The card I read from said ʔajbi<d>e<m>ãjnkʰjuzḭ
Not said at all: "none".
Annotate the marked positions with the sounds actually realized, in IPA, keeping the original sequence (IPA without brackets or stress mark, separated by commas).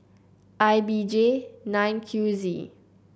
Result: d͡ʒ, n